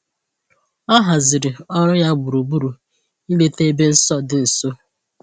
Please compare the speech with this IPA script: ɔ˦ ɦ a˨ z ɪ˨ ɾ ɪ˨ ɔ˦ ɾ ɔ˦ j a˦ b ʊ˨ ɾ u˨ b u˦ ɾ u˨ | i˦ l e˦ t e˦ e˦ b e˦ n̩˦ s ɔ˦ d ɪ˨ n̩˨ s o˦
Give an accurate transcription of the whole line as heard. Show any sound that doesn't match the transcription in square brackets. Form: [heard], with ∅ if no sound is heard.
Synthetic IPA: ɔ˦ ɦ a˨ z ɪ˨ ɾ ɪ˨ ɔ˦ ɾ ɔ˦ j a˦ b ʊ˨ ɾ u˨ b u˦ ɾ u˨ | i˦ l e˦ t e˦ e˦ b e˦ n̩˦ s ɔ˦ d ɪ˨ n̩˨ s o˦